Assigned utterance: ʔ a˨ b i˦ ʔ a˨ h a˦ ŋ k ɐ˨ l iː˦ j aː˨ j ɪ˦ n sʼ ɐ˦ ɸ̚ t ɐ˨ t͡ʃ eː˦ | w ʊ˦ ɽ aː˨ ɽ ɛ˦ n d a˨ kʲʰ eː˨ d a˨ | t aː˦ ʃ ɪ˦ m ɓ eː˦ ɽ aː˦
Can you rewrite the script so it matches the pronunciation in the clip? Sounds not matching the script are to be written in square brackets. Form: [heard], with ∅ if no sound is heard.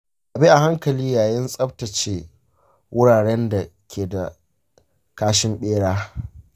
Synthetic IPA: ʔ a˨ b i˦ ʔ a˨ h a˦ ŋ k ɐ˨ l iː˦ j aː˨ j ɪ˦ n sʼ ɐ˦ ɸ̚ t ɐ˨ t͡ʃ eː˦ | w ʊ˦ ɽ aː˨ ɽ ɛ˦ n d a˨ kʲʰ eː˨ d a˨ | [k] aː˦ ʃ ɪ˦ m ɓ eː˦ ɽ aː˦